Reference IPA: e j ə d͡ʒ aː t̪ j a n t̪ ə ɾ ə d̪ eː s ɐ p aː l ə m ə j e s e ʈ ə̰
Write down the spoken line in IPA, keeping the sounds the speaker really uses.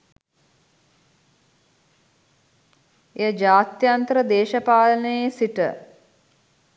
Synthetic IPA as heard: e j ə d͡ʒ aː t̪ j a n t̪ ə ɾ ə d̪ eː ʃ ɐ p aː l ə n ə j e s i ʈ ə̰